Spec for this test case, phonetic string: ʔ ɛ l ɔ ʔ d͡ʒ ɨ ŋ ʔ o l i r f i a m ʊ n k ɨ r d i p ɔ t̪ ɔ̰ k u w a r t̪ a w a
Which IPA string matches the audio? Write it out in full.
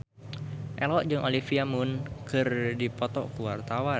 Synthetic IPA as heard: ʔ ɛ l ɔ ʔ d͡ʒ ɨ ŋ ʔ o l i f i a m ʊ n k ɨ r d i p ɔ t̪ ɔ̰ k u w a r t̪ a w a